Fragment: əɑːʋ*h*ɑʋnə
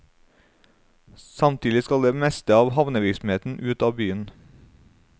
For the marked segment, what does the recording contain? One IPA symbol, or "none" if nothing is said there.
h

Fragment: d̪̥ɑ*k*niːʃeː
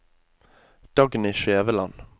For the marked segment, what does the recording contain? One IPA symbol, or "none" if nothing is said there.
ɡ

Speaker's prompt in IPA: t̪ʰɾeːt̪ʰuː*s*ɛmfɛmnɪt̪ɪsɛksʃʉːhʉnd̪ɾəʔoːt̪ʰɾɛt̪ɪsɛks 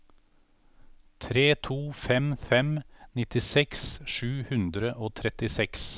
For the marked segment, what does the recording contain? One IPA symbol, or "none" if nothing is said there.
f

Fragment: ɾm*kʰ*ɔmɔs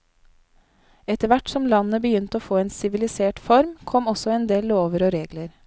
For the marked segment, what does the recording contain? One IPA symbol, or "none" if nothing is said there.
kʰ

